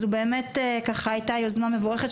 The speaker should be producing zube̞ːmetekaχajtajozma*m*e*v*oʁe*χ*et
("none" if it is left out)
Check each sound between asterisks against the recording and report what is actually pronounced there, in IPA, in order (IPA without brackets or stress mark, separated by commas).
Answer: m, v, χ